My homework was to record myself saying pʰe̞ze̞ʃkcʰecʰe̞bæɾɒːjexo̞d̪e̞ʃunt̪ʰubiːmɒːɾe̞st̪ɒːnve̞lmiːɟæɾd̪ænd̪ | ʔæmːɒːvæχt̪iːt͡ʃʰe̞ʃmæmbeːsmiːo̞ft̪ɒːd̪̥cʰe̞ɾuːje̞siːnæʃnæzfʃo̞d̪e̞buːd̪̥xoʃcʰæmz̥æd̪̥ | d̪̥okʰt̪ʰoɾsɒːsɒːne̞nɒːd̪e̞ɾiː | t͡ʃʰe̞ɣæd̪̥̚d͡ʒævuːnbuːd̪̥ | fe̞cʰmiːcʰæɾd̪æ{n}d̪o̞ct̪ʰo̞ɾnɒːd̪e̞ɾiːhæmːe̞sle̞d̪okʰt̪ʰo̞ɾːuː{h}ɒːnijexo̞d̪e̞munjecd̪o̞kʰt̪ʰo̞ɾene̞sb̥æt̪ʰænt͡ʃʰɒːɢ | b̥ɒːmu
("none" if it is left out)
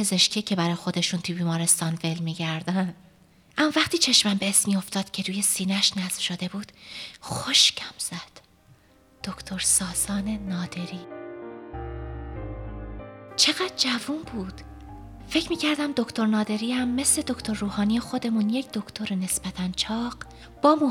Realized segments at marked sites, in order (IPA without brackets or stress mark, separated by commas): m, h